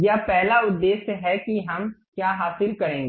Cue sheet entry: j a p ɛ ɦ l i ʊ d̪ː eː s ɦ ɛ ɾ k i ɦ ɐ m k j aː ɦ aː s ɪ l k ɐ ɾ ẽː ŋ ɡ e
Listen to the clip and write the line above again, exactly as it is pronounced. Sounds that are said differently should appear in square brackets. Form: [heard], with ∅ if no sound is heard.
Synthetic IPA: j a p ɛ ɦ l [a] ʊ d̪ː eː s ɦ ɛ [∅] k i ɦ ɐ m k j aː ɦ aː s ɪ l k ɐ ɾ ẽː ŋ ɡ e